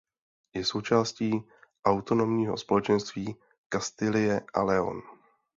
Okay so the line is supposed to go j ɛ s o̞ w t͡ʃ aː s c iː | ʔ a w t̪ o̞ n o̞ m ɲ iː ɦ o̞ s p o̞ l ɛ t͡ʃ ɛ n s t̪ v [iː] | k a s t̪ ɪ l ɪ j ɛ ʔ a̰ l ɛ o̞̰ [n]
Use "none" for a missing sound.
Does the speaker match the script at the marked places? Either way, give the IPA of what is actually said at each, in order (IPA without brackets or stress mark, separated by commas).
iː, n